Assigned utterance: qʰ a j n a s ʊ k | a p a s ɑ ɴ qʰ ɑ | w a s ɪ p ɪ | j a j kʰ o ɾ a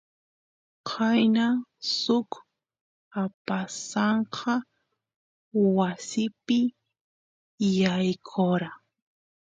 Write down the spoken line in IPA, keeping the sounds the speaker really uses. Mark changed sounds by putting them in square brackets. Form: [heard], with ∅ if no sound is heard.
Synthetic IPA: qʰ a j n a s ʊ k | a p a s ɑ ɴ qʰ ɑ | w a s ɪ p ɪ | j a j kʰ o ɾ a